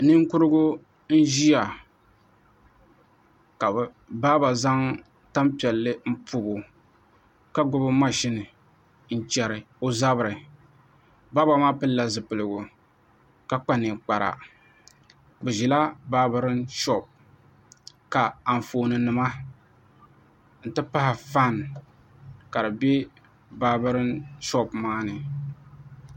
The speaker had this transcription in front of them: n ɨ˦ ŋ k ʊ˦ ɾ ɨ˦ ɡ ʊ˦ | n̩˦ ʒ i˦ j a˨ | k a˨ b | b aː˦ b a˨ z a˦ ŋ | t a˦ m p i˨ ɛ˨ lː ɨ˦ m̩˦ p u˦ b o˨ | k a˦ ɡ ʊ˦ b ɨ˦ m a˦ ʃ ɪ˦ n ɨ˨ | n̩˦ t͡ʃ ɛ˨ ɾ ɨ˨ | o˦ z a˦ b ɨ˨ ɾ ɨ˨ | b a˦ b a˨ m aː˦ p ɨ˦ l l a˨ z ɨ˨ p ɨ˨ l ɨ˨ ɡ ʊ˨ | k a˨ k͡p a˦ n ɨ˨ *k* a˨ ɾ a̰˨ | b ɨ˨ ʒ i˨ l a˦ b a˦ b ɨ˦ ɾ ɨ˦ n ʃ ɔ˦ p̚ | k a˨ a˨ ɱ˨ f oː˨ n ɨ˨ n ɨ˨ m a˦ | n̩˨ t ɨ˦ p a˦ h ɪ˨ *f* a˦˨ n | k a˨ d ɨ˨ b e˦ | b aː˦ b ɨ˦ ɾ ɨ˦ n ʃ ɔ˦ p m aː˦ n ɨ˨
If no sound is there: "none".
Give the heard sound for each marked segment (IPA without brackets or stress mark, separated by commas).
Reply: k͡p, f